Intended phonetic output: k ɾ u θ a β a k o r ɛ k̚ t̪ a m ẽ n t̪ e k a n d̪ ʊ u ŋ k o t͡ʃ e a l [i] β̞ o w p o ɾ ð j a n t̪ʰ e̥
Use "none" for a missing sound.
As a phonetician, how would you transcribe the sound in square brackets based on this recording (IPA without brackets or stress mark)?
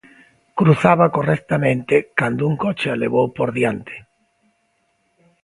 e